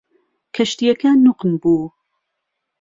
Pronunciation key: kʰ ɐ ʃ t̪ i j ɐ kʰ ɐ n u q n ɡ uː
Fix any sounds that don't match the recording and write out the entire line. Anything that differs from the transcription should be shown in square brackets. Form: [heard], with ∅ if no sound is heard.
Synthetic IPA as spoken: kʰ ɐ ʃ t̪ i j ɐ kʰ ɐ n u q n [b] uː